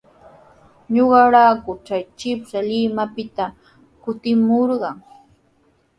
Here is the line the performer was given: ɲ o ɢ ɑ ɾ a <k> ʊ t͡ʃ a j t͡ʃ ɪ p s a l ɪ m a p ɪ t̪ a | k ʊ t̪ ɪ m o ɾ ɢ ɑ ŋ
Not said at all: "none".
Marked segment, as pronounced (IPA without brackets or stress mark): k